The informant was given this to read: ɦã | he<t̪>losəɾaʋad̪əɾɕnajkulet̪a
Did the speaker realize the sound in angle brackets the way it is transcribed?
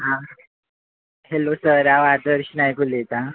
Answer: no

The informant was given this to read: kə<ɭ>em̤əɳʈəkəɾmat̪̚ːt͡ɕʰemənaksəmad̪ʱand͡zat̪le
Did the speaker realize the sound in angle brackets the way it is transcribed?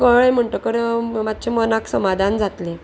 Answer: yes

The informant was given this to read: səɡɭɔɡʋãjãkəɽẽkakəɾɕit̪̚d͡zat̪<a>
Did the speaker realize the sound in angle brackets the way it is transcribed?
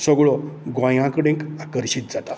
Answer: yes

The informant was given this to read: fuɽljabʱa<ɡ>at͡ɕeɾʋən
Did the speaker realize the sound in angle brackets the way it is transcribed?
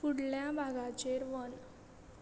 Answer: yes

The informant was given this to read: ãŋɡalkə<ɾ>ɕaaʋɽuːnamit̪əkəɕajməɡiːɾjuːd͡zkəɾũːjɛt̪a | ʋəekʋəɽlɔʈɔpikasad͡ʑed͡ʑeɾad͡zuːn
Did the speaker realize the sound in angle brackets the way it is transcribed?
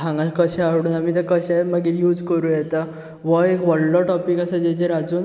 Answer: no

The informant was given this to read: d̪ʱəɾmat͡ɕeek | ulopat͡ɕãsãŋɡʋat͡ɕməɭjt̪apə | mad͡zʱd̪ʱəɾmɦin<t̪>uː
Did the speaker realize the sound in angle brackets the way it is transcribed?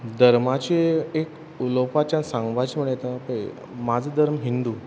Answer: no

